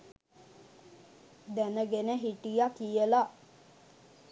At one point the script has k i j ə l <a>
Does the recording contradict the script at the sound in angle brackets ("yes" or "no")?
no